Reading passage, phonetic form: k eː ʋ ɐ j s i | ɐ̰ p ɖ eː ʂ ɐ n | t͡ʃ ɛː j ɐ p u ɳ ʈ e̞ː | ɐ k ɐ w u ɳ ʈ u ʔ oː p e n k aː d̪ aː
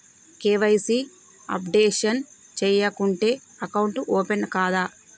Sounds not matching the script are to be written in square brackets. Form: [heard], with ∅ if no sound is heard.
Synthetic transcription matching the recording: k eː ʋ ɐ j s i | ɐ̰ p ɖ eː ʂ ɐ n | t͡ʃ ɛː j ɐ [k] u ɳ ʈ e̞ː | ɐ k ɐ w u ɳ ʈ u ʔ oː p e n k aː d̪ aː